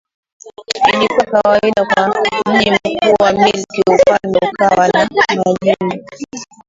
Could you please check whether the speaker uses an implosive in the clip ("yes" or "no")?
yes